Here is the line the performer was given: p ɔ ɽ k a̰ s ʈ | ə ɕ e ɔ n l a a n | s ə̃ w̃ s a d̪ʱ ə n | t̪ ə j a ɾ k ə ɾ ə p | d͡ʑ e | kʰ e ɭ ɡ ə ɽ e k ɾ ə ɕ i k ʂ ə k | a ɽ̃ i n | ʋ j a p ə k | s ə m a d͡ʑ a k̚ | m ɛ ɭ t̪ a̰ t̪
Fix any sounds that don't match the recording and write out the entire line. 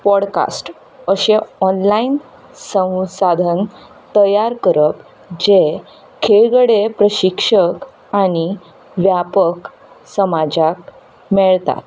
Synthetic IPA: p ɔ ɽ k a̰ s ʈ | ə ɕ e ɔ n l a i n | s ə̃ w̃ s a d̪ʱ ə n | t̪ ə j a ɾ k ə ɾ ə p | d͡ʑ e | kʰ e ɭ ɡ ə ɽ e p ɾ ə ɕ i k ʂ ə k | a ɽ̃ i | ʋ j a p ə k | s ə m a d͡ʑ a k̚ | m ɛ ɭ t̪ a̰ t̪